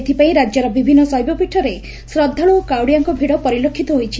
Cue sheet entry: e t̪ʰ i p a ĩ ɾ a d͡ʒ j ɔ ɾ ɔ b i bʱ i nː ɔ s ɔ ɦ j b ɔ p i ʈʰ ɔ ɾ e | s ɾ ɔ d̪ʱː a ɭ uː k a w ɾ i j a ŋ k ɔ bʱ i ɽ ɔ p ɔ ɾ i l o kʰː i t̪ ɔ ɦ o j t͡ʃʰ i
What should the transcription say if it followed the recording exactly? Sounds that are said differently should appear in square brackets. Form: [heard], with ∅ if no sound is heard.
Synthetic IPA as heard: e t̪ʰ i p a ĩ ɾ a d͡ʒ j ɔ ɾ ɔ b i bʱ i nː ɔ s ɔ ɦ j b ɔ p i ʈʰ ɔ ɾ e | s ɾ ɔ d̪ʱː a ɭ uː k a w [ɽ] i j a ŋ k ɔ bʱ i ɽ ɔ p ɔ ɾ i l o kʰː i t̪ ɔ ɦ o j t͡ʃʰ i